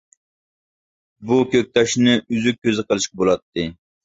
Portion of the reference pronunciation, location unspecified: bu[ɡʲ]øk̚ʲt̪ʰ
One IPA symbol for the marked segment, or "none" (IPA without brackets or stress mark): kʲ